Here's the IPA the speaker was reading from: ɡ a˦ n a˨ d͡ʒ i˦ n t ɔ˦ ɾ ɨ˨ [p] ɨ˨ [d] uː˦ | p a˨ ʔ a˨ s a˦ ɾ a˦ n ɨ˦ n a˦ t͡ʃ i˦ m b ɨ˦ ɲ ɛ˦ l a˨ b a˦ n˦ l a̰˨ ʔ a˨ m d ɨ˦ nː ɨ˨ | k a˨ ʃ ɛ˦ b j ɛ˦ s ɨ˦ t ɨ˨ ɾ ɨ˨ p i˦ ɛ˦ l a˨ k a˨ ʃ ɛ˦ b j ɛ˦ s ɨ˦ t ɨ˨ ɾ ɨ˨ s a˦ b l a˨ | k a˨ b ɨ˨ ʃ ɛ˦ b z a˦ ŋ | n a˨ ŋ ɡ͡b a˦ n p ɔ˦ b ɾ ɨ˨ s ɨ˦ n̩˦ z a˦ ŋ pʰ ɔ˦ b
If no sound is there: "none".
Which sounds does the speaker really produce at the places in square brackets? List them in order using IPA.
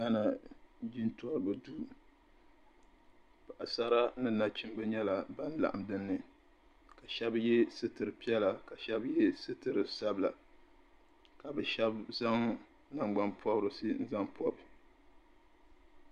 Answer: b, d

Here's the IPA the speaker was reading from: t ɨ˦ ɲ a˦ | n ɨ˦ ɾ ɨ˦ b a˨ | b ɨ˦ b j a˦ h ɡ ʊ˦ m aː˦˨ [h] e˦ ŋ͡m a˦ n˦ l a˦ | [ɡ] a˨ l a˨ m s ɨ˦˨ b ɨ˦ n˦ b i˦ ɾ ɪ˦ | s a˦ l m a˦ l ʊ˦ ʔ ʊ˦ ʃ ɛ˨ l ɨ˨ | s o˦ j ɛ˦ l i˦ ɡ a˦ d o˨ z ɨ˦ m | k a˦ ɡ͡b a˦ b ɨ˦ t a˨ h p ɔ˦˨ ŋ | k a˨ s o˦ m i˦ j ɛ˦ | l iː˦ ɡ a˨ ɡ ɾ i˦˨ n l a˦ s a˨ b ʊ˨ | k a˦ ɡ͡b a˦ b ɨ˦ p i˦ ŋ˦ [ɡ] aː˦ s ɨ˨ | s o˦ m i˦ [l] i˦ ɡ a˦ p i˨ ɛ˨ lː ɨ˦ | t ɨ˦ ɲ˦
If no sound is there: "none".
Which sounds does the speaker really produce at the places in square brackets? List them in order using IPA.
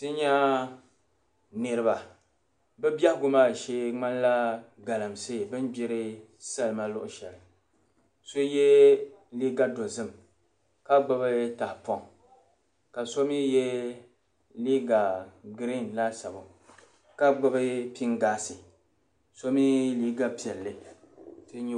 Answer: ʃ, ɡ, ɡ, l

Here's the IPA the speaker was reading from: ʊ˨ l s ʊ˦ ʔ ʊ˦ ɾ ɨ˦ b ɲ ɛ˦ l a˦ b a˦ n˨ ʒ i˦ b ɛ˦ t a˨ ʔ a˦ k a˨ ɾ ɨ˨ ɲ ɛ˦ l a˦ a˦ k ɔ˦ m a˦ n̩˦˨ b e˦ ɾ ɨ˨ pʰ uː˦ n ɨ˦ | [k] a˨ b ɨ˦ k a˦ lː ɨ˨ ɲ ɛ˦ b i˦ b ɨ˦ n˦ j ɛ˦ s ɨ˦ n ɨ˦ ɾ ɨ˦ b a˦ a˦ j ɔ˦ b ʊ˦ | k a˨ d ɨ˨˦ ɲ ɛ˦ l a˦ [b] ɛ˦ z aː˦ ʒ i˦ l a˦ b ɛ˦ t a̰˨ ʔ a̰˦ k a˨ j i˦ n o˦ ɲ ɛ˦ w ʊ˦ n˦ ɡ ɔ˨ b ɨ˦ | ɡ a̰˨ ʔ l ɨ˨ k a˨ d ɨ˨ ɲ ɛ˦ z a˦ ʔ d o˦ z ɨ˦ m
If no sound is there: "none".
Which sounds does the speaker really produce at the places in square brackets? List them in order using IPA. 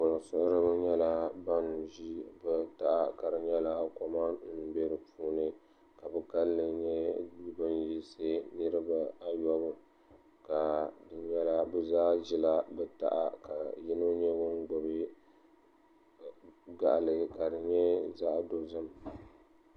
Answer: k, b

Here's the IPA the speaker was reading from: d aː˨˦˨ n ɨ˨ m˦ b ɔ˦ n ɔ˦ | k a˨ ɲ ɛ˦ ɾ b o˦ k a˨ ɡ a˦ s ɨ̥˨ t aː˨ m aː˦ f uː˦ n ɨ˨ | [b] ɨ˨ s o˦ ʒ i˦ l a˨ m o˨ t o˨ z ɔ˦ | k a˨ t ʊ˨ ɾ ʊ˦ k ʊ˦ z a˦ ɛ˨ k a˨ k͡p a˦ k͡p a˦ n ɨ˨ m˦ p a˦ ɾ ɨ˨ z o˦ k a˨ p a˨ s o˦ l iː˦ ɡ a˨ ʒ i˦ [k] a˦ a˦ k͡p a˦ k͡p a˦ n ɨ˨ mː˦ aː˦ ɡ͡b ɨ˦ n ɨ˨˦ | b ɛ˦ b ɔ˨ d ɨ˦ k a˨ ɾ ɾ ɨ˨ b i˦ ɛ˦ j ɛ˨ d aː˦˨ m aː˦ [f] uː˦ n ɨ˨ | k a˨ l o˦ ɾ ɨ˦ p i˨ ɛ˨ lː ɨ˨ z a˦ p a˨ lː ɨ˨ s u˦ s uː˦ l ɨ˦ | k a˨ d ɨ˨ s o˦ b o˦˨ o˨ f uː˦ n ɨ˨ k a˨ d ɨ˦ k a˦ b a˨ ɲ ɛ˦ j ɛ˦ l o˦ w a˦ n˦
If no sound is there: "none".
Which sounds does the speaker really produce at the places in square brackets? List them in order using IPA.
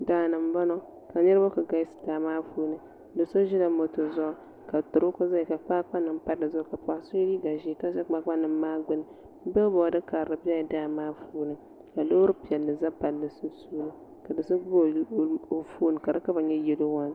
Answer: d, k, f

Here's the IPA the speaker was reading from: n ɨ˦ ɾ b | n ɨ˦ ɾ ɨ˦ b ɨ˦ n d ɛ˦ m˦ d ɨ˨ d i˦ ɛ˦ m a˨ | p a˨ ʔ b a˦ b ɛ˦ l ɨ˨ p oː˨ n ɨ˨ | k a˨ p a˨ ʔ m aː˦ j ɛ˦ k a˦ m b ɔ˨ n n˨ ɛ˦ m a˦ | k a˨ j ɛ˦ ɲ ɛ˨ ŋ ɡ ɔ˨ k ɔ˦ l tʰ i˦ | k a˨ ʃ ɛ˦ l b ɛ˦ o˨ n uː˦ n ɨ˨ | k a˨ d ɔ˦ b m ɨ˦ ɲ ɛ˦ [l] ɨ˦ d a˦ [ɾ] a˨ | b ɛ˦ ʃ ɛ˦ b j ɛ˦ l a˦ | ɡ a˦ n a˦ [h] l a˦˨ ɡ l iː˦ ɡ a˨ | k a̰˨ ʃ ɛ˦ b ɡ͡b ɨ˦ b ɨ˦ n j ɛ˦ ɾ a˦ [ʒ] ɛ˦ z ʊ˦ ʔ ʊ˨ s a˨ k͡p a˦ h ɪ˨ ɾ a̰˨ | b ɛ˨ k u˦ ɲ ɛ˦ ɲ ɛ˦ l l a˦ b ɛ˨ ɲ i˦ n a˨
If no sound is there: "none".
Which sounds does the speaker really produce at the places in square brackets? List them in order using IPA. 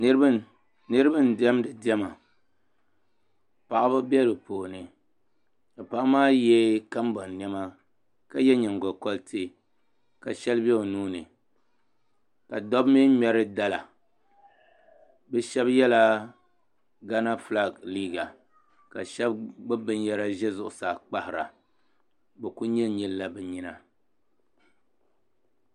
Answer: ɾ, l, f, ʒ

